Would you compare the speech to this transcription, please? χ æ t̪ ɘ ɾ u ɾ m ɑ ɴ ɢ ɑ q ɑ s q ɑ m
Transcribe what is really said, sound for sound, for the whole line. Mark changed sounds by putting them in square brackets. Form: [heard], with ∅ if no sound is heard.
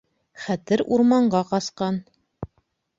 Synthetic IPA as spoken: χ æ t̪ ɘ ɾ u ɾ m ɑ ɴ ɢ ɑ q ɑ s q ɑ [n]